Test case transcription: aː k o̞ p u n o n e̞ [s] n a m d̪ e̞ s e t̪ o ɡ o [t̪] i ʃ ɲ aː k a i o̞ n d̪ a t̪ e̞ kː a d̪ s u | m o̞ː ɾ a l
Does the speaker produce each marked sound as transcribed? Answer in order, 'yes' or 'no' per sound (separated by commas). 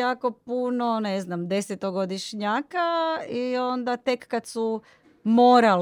no, no